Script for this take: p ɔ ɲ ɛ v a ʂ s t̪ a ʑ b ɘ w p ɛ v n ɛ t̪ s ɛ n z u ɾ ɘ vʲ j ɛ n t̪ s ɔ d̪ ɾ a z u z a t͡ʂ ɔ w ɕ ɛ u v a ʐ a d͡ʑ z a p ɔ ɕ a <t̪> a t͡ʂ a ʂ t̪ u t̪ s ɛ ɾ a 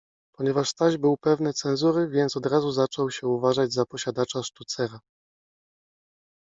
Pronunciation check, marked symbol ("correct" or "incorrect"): incorrect